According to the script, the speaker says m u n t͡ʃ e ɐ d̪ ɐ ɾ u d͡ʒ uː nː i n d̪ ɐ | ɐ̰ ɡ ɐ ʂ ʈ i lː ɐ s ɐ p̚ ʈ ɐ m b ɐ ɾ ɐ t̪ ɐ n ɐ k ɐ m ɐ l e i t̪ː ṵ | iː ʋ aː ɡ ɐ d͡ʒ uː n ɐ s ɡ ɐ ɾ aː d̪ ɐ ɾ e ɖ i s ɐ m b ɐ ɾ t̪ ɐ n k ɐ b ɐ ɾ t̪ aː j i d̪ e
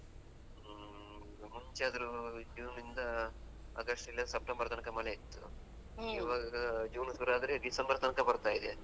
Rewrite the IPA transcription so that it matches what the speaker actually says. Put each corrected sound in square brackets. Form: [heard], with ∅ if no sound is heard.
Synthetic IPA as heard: m u [ɲ] t͡ʃ e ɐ d̪ ɐ ɾ u d͡ʒ uː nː i n d̪ ɐ | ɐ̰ ɡ ɐ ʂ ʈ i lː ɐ s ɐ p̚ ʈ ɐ m b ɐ ɾ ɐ t̪ ɐ n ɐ k ɐ m ɐ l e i t̪ː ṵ | iː ʋ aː ɡ ɐ d͡ʒ uː n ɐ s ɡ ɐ ɾ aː d̪ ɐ ɾ e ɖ i s ɐ m b ɐ ɾ t̪ ɐ n k ɐ b ɐ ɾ t̪ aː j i d̪ e